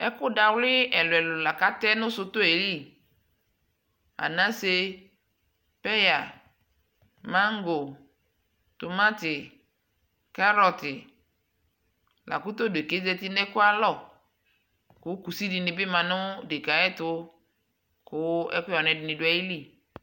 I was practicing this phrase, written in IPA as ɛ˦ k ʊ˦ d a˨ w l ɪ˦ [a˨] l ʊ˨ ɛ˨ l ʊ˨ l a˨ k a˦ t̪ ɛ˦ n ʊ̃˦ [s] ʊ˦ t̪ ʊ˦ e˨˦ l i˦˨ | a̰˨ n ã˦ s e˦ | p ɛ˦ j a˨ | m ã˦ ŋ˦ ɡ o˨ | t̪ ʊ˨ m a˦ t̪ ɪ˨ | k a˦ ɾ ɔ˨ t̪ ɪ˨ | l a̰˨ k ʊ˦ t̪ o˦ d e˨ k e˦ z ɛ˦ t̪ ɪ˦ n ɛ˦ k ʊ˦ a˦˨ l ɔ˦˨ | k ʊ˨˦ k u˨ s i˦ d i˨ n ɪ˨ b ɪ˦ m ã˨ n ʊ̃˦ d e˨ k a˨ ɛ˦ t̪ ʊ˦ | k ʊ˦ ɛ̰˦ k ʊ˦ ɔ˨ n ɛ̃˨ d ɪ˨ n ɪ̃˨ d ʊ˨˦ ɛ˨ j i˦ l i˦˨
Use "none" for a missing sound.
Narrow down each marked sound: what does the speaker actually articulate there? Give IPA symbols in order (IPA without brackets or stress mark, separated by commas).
ɛ˨, s